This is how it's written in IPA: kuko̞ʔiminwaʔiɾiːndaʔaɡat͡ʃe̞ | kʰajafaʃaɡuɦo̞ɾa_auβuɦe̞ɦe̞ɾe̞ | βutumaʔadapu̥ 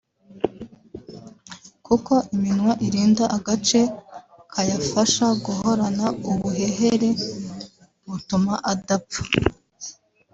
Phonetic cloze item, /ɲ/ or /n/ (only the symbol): n